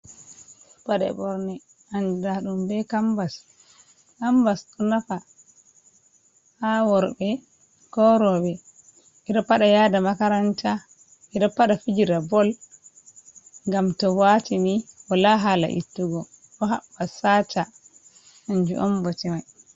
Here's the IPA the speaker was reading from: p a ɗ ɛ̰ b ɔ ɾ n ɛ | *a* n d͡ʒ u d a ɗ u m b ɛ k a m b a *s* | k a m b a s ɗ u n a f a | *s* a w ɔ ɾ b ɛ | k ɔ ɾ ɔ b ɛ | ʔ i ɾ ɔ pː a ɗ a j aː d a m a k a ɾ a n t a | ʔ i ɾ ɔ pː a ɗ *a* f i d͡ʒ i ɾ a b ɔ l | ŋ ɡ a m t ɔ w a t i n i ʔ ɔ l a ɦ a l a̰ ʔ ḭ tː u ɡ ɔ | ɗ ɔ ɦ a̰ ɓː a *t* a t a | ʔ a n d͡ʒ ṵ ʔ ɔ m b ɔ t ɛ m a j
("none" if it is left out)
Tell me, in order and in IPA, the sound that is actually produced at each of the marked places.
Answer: a, s, h, a, s

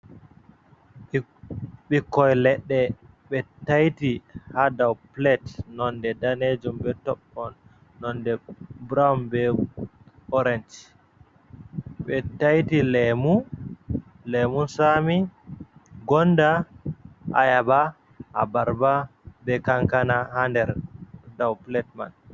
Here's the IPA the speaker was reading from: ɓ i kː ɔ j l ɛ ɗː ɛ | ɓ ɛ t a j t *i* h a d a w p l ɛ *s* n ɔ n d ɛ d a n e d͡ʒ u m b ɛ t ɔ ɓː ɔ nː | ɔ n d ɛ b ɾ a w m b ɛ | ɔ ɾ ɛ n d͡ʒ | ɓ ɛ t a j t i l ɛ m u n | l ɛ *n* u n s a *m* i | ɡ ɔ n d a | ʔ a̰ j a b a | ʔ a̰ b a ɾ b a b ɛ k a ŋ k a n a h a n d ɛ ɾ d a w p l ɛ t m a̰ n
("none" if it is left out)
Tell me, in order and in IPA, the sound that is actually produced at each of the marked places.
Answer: i, t, m, m

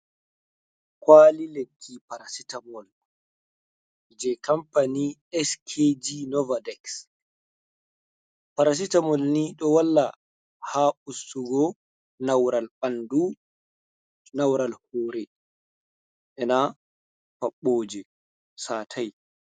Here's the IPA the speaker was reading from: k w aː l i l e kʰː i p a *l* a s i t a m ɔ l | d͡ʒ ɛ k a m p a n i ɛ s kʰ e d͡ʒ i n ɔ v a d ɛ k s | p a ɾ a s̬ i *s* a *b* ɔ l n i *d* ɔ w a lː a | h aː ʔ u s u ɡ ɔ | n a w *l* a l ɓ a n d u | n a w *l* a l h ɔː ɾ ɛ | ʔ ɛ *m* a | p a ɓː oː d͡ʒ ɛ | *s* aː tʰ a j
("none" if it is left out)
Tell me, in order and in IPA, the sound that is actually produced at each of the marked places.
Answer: ɾ, t, m, ɗ, ɾ, ɾ, n, s

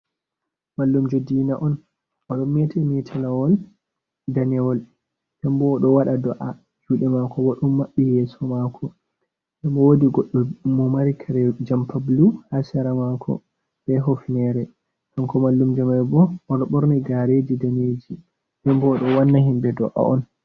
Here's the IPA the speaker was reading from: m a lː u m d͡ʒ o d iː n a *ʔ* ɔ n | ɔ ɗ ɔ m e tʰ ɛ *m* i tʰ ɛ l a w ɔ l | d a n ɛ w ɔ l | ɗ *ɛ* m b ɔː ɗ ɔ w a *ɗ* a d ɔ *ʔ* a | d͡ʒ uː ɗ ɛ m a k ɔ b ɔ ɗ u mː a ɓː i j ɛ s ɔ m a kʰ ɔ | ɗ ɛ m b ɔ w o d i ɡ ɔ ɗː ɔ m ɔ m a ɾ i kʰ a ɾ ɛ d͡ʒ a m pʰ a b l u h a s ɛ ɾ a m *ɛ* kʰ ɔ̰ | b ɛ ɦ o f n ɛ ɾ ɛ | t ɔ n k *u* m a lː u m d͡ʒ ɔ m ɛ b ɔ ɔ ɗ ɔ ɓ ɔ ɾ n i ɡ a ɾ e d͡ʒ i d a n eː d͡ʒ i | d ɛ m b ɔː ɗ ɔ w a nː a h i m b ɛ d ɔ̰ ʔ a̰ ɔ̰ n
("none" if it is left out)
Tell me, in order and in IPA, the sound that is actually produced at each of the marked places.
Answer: ʔ, m, ɛ, ɗ, ʔ, a, ɔ

